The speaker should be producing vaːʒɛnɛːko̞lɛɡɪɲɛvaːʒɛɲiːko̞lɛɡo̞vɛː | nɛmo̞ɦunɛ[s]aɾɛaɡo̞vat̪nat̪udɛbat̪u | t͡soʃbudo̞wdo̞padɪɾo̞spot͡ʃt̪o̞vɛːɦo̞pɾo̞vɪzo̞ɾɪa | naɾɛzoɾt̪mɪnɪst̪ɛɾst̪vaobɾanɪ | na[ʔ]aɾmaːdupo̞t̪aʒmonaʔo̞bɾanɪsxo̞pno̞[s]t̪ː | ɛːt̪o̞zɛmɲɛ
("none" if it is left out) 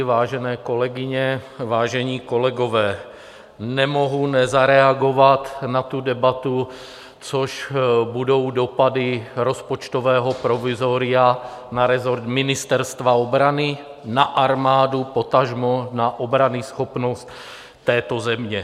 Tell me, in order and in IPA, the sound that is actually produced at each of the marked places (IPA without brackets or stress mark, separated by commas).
z, ʔ, s